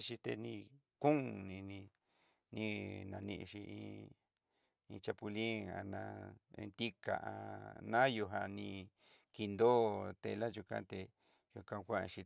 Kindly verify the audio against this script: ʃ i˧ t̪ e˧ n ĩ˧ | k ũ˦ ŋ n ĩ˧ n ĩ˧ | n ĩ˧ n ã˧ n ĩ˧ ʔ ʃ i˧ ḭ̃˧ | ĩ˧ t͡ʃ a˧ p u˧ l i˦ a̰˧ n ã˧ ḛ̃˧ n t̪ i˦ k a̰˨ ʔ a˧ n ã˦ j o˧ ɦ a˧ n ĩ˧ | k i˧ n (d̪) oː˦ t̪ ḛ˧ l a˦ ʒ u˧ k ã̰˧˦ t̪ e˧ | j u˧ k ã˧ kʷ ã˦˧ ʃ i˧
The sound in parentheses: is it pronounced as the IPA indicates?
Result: yes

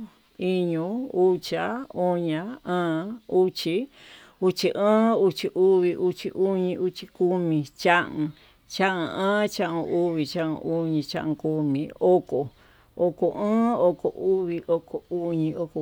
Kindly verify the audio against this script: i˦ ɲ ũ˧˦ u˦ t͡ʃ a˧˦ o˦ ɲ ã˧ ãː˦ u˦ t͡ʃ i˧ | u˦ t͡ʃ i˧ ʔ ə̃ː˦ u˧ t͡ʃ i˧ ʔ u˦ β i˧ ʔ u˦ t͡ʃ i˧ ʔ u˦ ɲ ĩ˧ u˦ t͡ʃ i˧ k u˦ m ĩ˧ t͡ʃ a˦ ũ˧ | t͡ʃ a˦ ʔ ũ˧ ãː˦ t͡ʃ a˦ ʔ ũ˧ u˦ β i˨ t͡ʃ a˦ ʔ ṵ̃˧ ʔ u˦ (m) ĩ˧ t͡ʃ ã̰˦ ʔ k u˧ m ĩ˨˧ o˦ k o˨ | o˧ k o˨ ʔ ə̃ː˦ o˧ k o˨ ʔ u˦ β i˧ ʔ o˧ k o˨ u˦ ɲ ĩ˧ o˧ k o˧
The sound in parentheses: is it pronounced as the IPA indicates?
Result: no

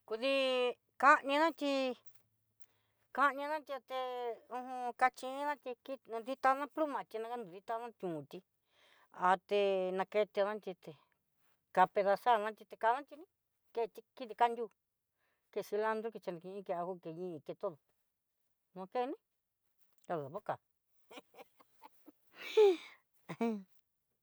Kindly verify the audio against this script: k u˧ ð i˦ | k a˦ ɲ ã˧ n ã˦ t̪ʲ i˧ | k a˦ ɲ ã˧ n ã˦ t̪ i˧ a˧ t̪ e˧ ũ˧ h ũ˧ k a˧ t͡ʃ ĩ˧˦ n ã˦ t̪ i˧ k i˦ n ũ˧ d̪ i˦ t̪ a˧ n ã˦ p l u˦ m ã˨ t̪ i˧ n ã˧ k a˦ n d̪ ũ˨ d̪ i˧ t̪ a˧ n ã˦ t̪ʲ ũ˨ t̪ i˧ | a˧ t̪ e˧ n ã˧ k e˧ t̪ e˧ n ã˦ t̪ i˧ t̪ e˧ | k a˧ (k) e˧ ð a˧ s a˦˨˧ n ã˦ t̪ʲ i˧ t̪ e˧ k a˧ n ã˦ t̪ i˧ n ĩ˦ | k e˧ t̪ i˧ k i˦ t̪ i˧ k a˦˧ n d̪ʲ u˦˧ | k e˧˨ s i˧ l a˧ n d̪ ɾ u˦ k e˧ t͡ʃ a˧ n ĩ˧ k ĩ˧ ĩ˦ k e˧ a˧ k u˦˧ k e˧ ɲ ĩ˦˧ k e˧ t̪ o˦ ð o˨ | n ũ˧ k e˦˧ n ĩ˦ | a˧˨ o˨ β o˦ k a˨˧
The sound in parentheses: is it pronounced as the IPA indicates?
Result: no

